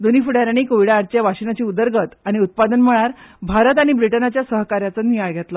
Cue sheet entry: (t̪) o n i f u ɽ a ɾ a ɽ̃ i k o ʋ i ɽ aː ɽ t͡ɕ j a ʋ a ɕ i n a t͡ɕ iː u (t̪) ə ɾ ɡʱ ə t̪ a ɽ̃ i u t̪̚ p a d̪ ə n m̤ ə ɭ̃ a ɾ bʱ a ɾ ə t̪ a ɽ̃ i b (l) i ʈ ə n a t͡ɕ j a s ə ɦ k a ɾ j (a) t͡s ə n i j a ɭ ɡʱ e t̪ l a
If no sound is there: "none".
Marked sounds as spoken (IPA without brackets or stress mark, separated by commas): d̪, d̪, ɾ, a